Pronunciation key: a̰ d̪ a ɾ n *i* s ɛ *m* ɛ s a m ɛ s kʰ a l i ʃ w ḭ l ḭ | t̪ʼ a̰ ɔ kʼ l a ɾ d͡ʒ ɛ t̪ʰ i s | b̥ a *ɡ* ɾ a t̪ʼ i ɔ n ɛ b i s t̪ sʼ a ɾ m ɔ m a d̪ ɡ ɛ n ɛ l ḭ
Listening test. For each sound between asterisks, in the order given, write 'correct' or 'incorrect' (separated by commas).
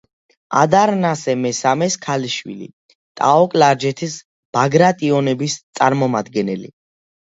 incorrect, correct, correct